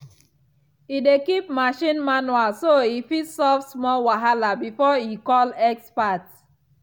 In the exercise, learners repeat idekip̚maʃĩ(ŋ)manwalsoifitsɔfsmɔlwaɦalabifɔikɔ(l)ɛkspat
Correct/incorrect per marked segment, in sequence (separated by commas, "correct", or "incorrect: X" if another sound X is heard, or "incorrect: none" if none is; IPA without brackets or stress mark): incorrect: n, correct